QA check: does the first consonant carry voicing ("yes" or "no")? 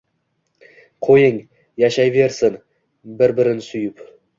no